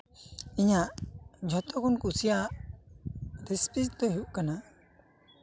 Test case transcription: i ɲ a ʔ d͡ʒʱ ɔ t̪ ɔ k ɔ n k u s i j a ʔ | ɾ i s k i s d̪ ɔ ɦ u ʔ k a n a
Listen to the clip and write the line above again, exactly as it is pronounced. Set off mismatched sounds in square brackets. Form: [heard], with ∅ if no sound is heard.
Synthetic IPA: i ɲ a ʔ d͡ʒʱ ɔ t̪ ɔ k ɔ n k u s i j a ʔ | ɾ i s [p] i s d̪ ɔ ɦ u ʔ k a n a